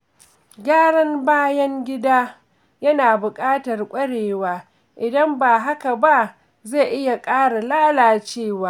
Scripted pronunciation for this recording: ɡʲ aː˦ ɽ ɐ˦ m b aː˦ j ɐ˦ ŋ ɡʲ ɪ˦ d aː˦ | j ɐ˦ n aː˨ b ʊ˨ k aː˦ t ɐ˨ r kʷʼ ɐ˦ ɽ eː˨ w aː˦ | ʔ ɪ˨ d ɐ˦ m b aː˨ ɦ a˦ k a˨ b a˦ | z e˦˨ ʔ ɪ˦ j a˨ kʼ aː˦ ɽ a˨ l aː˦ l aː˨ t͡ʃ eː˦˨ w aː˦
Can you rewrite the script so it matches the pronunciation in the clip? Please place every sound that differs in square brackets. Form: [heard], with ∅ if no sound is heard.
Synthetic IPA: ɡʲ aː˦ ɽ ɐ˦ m b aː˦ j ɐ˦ ŋ ɡʲ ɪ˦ d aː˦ | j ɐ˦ n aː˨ b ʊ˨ [kʼ] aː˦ t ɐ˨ r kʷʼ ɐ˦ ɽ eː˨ w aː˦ | ʔ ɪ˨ d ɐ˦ m b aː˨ ɦ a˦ k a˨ b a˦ | z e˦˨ ʔ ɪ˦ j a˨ kʼ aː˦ ɽ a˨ l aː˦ l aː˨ t͡ʃ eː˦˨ w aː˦